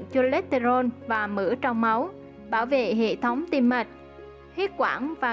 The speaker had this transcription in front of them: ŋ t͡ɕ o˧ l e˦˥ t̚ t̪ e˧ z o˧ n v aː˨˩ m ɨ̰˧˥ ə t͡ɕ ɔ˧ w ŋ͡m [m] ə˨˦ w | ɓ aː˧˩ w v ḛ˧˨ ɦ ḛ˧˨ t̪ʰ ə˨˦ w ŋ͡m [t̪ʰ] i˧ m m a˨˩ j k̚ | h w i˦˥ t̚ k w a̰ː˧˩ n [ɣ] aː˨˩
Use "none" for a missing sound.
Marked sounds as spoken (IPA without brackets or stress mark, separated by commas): m, t̪, v